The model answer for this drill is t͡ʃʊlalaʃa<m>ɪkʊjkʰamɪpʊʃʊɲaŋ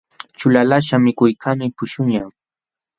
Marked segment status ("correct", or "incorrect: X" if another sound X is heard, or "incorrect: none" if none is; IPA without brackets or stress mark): correct